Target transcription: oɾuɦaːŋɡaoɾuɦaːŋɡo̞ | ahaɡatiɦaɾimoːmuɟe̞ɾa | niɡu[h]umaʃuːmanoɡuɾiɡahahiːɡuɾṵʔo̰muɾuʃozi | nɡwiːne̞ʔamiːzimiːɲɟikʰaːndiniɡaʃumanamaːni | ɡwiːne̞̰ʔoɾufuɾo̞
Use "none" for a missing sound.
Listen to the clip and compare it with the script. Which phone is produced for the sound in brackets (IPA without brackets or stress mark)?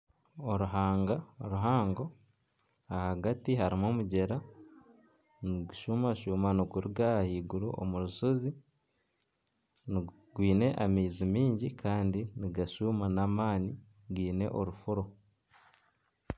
ʃ